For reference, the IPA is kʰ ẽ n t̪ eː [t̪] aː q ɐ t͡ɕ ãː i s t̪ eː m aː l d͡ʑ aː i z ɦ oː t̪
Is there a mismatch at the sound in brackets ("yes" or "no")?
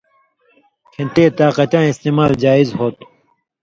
no